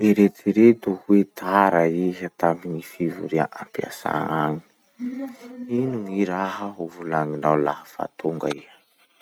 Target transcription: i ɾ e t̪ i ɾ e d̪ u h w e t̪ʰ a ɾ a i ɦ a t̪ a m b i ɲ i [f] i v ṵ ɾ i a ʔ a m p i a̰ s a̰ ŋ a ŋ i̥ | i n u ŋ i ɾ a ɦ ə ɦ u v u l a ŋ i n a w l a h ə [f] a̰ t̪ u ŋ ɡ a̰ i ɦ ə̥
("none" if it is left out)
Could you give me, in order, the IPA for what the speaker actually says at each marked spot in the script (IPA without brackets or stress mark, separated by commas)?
f, f